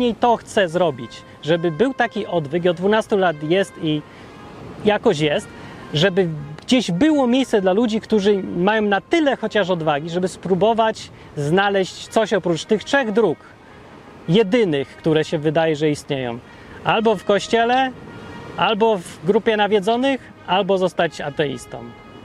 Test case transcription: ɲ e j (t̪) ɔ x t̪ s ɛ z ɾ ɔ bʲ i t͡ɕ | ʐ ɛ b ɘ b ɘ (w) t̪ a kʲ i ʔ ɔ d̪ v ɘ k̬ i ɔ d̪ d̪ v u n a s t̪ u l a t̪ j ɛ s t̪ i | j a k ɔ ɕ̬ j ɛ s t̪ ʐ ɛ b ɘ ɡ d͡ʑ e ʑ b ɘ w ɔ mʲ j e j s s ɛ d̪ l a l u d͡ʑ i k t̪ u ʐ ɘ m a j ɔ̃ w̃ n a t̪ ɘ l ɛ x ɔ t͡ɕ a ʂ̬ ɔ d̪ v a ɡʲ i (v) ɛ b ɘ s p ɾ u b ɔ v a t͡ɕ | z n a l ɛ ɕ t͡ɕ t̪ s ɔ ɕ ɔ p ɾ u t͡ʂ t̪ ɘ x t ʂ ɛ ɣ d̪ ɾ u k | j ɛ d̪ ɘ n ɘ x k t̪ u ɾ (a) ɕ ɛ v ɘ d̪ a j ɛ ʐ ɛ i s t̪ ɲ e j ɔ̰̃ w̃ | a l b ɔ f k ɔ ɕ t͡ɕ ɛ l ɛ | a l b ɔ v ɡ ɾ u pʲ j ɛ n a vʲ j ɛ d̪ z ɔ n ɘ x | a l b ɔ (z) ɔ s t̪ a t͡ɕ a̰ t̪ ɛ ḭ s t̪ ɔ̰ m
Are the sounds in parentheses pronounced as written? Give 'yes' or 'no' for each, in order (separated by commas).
yes, yes, no, no, yes